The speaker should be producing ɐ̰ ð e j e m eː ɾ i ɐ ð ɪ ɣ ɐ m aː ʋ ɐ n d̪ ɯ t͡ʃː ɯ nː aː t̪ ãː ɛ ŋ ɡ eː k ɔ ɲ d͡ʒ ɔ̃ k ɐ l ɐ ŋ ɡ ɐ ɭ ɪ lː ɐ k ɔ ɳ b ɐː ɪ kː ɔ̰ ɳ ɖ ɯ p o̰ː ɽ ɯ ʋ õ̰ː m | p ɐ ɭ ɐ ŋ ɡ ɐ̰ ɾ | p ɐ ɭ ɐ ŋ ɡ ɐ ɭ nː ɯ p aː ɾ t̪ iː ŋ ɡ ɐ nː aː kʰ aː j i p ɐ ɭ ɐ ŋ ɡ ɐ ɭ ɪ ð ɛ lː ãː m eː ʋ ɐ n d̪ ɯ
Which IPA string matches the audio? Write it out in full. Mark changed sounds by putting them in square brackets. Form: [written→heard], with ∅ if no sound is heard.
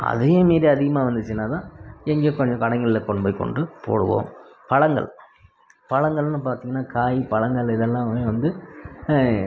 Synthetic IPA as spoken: ɐ̰ ð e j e m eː ɾ i ɐ ð ɪ ɣ ɐ m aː ʋ ɐ n d̪ ɯ t͡ʃː ɯ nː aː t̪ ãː ɛ ŋ ɡ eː k ɔ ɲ d͡ʒ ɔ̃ k ɐ [l→ɽ] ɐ ŋ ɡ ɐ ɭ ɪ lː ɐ k ɔ ɳ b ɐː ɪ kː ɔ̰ ɳ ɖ ɯ p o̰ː ɽ ɯ ʋ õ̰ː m | p ɐ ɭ ɐ ŋ ɡ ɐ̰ [ɾ→ɭ] | p ɐ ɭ ɐ ŋ ɡ ɐ ɭ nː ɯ p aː ɾ t̪ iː ŋ ɡ ɐ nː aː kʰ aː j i p ɐ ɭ ɐ ŋ ɡ ɐ ɭ ɪ ð ɛ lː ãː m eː ʋ ɐ n d̪ ɯ

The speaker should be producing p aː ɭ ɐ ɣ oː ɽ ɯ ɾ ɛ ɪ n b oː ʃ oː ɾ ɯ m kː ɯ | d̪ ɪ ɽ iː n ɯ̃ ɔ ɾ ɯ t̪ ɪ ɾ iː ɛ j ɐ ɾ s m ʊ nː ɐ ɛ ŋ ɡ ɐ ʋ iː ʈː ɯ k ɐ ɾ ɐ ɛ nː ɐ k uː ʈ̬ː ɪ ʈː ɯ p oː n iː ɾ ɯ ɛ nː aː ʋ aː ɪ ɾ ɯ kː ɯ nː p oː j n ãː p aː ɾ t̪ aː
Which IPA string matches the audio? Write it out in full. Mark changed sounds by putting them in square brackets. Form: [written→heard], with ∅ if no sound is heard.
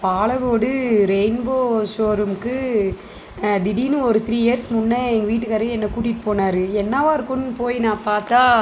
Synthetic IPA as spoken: p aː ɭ ɐ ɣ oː ɽ ɯ ɾ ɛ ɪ n b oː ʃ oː ɾ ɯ m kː ɯ | d̪ ɪ ɽ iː n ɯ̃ ɔ ɾ ɯ t̪ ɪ ɾ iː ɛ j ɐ ɾ s m ʊ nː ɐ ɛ ŋ ɡ ɐ ʋ iː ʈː ɯ k ɐ ɾ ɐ ɛ nː ɐ k uː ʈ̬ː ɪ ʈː ɯ p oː n [iː→aː] ɾ ɯ ɛ nː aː ʋ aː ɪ ɾ ɯ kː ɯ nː p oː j n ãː p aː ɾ t̪ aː

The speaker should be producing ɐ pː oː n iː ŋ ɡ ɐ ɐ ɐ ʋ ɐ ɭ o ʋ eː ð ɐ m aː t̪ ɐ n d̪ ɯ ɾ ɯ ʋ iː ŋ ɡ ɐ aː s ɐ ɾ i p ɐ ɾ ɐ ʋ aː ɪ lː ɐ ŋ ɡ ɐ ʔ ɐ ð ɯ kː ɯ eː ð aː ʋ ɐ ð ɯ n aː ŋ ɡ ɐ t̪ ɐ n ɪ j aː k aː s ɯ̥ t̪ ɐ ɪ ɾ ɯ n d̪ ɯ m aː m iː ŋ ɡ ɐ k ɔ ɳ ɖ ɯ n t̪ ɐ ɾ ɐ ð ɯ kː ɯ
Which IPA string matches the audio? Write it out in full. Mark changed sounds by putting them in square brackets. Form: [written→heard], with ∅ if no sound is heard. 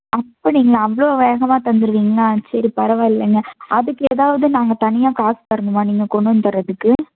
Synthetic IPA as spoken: ɐ pː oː n iː ŋ ɡ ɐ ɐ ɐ ʋ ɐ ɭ o ʋ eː [ð→ɣ] ɐ m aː t̪ ɐ n d̪ ɯ ɾ ɯ ʋ iː ŋ ɡ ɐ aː s ɐ ɾ i p ɐ ɾ ɐ ʋ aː ɪ lː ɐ ŋ ɡ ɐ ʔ ɐ ð ɯ kː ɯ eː ð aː ʋ ɐ ð ɯ n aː ŋ ɡ ɐ t̪ ɐ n ɪ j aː k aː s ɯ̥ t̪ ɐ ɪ ɾ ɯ n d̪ ɯ m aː [m→n] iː ŋ ɡ ɐ k ɔ ɳ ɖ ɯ n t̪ ɐ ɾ ɐ ð ɯ kː ɯ

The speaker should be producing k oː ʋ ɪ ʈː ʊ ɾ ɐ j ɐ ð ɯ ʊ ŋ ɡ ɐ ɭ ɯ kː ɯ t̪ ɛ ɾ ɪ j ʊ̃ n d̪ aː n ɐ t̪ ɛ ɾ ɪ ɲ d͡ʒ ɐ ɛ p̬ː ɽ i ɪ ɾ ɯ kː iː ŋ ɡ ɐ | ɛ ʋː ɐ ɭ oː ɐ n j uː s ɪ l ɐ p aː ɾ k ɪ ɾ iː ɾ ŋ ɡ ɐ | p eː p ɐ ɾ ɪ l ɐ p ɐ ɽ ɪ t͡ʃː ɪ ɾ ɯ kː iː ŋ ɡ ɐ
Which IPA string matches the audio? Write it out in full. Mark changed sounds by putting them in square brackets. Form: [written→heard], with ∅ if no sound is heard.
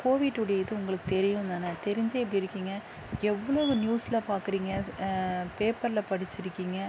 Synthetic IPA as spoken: k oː ʋ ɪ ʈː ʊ [ɾ→ɽ] ɐ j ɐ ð ɯ ʊ ŋ ɡ ɐ ɭ ɯ kː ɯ t̪ ɛ ɾ ɪ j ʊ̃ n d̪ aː n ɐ t̪ ɛ ɾ ɪ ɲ d͡ʒ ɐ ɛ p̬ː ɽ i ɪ ɾ ɯ kː iː ŋ ɡ ɐ | ɛ ʋː ɐ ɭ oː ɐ n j uː s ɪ l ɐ p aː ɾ k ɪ ɾ iː [ɾ→∅] ŋ ɡ ɐ | p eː p ɐ ɾ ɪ l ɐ p ɐ ɽ ɪ t͡ʃː ɪ ɾ ɯ kː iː ŋ ɡ ɐ

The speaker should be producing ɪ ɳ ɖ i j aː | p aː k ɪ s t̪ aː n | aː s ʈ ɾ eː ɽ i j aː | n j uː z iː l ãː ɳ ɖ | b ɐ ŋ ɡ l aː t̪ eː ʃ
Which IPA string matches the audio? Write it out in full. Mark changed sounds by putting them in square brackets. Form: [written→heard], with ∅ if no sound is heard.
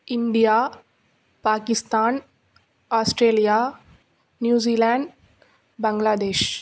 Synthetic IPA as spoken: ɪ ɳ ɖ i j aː | p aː k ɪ s t̪ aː n | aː s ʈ ɾ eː [ɽ→l] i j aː | n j uː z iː l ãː ɳ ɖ | b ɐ ŋ ɡ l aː [t̪→d̪] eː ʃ

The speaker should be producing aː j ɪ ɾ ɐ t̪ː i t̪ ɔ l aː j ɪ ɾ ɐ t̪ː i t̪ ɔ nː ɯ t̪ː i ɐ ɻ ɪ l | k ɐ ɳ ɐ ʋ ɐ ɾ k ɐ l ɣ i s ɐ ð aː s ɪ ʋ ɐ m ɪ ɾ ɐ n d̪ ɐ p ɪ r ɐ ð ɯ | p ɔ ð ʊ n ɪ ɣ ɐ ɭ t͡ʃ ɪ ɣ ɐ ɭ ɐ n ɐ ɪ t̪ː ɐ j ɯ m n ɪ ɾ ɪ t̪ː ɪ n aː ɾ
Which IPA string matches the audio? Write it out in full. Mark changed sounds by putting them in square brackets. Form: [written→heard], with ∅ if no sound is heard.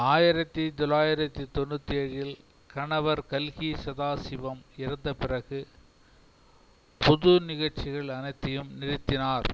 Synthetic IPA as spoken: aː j ɪ ɾ ɐ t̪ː i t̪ ɔ l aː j ɪ ɾ ɐ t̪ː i t̪ ɔ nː ɯ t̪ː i ɐ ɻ ɪ l | k ɐ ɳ ɐ ʋ ɐ ɾ k ɐ l ɣ i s ɐ ð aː s ɪ ʋ ɐ m ɪ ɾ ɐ n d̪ ɐ p ɪ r ɐ [ð→ɣ] ɯ | p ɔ ð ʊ n ɪ ɣ ɐ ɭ t͡ʃ ɪ ɣ ɐ ɭ ɐ n ɐ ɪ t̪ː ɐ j ɯ m n ɪ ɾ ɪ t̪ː ɪ n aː ɾ

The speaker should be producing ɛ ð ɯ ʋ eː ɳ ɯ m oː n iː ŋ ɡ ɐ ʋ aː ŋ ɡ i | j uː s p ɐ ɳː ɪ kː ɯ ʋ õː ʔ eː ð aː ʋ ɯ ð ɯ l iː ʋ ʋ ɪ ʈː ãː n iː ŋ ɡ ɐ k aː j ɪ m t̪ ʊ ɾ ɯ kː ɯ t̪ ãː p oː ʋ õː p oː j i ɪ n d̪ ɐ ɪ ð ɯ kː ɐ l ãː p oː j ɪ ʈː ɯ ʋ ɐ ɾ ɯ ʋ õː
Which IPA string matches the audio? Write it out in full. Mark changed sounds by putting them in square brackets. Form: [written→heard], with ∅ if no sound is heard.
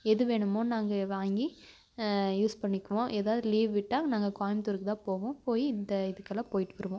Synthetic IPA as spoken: ɛ ð ɯ ʋ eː ɳ ɯ m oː n [iː→aː] ŋ ɡ ɐ ʋ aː ŋ ɡ i | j uː s p ɐ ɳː ɪ kː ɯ ʋ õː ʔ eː ð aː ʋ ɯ ð ɯ l iː ʋ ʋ ɪ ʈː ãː n [iː→aː] ŋ ɡ ɐ k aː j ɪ m t̪ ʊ ɾ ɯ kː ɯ t̪ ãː p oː ʋ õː p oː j i ɪ n d̪ ɐ ɪ ð ɯ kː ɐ l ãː p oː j ɪ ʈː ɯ ʋ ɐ ɾ ɯ ʋ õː

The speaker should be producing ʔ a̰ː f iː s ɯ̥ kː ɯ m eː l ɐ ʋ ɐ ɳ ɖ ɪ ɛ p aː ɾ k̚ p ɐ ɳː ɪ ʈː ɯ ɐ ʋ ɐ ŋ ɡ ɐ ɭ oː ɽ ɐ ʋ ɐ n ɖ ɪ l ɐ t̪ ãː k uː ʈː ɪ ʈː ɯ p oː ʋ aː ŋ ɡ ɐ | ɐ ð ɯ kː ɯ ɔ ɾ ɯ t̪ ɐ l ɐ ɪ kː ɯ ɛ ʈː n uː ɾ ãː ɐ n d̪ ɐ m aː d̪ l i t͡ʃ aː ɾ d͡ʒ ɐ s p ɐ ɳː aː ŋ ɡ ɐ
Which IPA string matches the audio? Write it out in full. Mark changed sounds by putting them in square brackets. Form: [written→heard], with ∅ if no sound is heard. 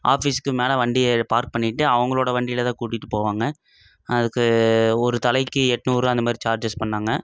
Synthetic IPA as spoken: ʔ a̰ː f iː s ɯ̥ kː ɯ m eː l ɐ ʋ ɐ ɳ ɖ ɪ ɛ p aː ɾ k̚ p ɐ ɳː ɪ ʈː ɯ ɐ ʋ ɐ ŋ ɡ ɐ ɭ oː ɽ ɐ ʋ ɐ [n→ɳ] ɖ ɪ l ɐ t̪ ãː k uː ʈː ɪ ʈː ɯ p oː ʋ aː ŋ ɡ ɐ | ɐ ð ɯ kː ɯ ɔ ɾ ɯ t̪ ɐ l ɐ ɪ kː ɯ ɛ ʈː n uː ɾ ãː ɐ n d̪ ɐ m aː d̪ [l→ɾ] i t͡ʃ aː ɾ d͡ʒ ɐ s p ɐ ɳː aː ŋ ɡ ɐ

